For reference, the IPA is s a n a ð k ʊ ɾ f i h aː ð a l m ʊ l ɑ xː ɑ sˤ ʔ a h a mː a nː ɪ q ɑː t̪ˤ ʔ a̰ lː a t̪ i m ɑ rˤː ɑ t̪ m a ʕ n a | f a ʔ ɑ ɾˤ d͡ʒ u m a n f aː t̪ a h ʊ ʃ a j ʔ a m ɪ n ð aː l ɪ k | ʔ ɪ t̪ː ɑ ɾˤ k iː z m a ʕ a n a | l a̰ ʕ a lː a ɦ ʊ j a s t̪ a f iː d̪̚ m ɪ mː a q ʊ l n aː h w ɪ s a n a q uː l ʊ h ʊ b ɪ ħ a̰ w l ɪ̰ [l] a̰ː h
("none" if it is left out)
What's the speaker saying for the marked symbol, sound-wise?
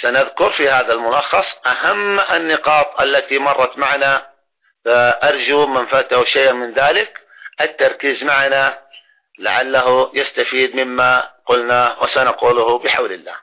lː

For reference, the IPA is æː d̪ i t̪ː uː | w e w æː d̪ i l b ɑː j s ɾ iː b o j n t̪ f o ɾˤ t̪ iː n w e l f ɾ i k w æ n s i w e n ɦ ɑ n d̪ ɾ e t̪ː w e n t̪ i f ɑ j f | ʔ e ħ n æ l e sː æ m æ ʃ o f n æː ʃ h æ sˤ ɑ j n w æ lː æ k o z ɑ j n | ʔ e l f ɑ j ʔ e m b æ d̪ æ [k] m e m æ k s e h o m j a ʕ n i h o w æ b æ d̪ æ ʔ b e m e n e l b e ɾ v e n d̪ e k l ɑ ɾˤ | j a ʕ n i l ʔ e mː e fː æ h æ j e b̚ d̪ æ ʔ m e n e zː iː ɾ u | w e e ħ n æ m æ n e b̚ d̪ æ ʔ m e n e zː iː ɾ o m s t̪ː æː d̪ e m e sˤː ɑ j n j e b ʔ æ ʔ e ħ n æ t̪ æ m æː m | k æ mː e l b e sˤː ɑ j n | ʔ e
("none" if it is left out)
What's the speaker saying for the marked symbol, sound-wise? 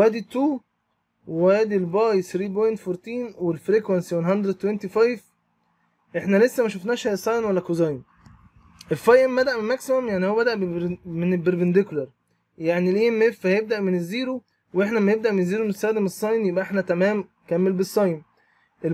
ʔ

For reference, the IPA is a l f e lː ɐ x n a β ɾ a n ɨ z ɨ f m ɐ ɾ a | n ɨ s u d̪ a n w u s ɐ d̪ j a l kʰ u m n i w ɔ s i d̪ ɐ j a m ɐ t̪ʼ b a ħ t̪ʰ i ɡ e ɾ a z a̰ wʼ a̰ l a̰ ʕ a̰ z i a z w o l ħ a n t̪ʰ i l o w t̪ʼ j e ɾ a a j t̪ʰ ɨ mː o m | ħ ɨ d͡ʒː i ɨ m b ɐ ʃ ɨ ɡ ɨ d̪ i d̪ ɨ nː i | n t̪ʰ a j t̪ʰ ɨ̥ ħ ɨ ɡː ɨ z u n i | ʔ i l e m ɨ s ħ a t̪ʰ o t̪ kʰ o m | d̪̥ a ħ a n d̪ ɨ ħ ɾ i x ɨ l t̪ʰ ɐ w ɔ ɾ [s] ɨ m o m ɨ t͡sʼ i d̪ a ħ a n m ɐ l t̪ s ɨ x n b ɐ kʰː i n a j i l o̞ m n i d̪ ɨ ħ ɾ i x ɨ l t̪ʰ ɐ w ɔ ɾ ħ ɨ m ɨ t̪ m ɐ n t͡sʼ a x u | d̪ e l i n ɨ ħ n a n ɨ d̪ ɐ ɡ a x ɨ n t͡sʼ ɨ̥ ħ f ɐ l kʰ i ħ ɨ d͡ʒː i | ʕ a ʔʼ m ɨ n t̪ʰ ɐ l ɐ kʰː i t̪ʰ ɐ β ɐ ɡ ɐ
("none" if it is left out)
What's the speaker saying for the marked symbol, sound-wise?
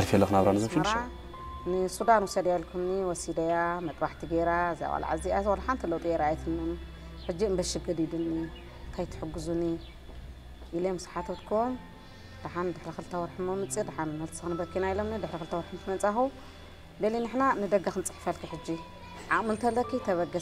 ħ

